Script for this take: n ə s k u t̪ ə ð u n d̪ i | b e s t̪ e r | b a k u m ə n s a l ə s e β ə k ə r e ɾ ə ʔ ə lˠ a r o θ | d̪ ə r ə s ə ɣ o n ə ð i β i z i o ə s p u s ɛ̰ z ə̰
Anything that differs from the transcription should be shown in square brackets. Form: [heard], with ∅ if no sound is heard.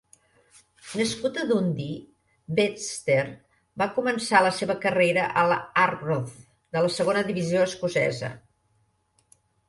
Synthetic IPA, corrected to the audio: n ə s k u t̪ ə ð u n d̪ i | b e s t̪ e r | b a k u m ə n s a l ə s e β ə k ə r e ɾ ə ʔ ə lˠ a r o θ | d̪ ə [l] ə s ə ɣ o n ə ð i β i z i o ə s [k] u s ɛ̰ z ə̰